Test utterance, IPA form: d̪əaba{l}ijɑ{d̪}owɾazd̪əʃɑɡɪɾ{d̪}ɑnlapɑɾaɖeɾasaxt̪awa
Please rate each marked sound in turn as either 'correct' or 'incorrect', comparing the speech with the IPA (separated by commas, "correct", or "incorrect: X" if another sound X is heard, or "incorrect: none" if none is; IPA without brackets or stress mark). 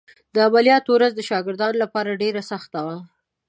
correct, incorrect: t̪, correct